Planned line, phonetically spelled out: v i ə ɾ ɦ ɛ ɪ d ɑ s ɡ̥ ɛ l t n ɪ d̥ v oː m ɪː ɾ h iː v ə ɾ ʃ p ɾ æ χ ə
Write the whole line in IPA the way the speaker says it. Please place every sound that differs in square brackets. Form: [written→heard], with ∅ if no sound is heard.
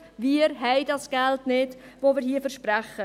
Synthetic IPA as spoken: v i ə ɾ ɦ ɛ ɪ d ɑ s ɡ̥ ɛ l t n ɪ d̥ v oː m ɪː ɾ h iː [v→f] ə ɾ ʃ p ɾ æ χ ə